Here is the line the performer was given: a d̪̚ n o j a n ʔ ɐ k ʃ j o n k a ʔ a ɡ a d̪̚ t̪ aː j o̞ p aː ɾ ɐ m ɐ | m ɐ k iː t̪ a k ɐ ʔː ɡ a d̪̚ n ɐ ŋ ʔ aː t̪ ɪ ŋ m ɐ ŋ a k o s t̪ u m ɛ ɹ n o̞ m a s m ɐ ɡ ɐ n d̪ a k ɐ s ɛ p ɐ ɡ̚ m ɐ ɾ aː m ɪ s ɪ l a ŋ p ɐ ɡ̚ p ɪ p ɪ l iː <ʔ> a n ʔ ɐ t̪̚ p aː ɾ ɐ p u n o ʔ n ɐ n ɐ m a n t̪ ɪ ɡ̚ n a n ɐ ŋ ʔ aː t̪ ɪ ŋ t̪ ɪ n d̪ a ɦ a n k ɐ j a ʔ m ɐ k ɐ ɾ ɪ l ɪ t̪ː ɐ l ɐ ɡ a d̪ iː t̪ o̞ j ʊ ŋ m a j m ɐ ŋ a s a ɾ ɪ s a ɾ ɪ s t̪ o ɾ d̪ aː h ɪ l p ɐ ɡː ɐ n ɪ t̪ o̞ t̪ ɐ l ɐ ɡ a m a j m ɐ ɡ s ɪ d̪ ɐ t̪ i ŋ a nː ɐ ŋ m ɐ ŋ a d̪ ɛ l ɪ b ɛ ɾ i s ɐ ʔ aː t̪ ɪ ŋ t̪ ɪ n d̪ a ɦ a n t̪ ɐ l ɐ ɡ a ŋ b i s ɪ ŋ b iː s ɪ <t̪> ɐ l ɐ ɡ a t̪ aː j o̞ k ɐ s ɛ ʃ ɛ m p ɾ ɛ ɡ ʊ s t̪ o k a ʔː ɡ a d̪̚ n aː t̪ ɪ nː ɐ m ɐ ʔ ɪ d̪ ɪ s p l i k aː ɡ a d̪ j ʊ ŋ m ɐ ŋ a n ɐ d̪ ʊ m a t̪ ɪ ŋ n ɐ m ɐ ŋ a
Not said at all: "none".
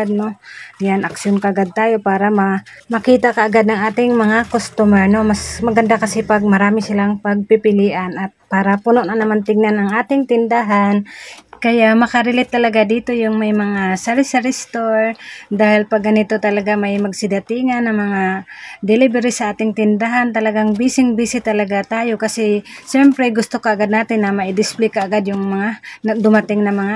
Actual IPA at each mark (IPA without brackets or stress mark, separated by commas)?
ʔ, t̪